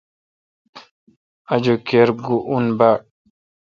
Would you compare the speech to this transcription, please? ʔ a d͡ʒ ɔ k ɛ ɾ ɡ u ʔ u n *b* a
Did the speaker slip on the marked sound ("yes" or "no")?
no